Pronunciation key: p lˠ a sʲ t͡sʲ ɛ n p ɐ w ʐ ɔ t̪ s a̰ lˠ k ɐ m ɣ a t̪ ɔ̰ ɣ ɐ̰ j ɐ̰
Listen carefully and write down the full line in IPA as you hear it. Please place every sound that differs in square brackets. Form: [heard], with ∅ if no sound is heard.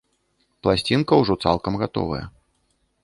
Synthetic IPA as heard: p lˠ a sʲ t͡sʲ [i] n [k] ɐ w ʐ ɔ t̪ s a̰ lˠ k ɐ m ɣ a t̪ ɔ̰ [v] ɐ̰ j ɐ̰